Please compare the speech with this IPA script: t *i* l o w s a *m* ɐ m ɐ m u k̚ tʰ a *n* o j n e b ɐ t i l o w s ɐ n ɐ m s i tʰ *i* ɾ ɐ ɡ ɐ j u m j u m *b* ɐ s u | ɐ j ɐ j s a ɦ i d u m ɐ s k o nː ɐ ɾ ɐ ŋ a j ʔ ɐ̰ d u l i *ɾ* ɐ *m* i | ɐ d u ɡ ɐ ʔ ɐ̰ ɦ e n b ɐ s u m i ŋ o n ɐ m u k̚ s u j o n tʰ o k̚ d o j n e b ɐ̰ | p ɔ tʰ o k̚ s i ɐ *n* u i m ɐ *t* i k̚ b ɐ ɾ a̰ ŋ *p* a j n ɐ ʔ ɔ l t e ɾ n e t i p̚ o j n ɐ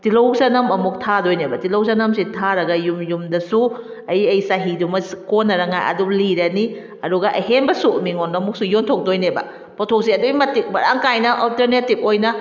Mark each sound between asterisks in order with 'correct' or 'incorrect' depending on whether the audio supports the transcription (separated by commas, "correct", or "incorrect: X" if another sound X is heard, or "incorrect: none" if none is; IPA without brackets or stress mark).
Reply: correct, incorrect: n, incorrect: d, incorrect: a, incorrect: d, correct, incorrect: n, incorrect: d, correct, incorrect: k